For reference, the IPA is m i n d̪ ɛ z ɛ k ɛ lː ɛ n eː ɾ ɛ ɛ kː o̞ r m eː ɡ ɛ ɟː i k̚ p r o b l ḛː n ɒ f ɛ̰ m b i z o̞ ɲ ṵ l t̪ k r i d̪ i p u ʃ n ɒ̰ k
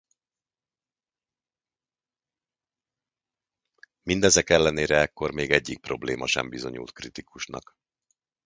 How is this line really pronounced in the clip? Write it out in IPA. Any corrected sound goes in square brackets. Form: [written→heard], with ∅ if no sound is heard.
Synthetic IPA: m i n d̪ ɛ z ɛ k ɛ lː ɛ n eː ɾ ɛ ɛ kː o̞ r m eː ɡ ɛ ɟː i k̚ p r o b l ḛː [n→m] ɒ [f→ʃ] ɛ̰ m b i z o̞ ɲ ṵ l t̪ k r i [d̪→t̪] i [p→k] u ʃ n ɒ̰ k